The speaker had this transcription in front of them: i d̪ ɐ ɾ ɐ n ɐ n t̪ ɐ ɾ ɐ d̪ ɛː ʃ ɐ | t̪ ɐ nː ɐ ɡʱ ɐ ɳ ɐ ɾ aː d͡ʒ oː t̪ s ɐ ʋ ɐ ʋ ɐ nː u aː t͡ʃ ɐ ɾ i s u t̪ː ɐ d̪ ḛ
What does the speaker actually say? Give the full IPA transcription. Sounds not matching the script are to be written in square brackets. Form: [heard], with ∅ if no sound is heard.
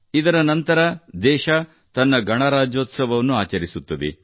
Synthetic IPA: i d̪ ɐ ɾ ɐ n ɐ n t̪ ɐ ɾ ɐ d̪ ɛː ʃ ɐ | t̪ ɐ nː ɐ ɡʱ ɐ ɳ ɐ ɾ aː d͡ʒ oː t̪ s ɐ ʋ ɐ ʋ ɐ nː u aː t͡ʃ ɐ ɾ i s u t̪ː ɐ d̪ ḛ